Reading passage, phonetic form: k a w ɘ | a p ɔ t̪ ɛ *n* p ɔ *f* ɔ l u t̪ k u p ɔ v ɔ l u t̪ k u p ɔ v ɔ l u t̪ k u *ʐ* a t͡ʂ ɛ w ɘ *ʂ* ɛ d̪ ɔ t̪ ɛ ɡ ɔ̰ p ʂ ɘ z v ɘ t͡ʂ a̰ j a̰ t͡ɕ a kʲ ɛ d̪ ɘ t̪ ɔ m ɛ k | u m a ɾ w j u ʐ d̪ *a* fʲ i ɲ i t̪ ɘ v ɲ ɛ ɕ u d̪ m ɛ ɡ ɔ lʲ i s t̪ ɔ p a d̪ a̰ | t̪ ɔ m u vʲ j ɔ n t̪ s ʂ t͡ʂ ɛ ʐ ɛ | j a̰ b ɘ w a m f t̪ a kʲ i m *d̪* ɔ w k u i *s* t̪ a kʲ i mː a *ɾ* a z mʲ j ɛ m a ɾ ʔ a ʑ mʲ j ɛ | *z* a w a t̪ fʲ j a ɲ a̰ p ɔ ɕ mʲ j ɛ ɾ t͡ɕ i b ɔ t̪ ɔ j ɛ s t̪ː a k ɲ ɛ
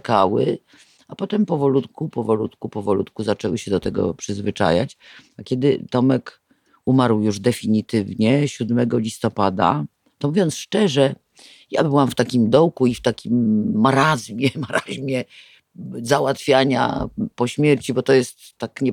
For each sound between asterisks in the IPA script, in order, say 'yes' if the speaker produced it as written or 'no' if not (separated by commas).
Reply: no, no, no, no, no, yes, no, yes, yes